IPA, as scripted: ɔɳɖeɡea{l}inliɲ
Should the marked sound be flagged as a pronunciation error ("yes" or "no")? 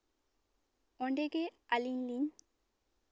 no